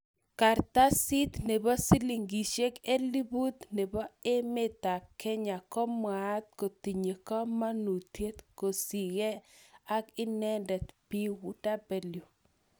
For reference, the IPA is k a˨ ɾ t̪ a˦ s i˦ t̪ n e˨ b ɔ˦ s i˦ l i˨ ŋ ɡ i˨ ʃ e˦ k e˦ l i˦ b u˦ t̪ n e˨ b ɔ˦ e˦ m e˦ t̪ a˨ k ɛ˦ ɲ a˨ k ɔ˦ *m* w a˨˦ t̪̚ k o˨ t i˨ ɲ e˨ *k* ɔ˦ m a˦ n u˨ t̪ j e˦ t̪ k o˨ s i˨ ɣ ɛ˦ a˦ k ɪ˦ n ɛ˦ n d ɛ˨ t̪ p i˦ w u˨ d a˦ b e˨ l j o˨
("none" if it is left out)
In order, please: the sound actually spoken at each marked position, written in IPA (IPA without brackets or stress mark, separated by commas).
m, k